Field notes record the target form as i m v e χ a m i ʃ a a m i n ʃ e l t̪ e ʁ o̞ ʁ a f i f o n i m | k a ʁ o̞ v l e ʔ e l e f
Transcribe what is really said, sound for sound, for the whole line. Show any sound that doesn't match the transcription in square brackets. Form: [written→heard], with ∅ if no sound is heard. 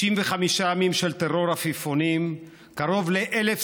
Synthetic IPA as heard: i m v e χ a m i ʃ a a m i [n→m] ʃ e l t̪ e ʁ o̞ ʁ a f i f o n i m | k a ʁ o̞ v l e ʔ e l e f